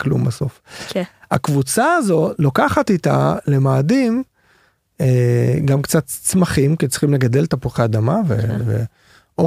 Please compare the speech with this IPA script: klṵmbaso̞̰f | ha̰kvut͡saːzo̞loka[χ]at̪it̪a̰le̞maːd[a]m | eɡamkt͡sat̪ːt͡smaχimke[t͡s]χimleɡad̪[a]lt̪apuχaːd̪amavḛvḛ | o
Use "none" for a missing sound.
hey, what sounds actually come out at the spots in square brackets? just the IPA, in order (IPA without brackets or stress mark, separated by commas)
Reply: χ, i, t͡s, e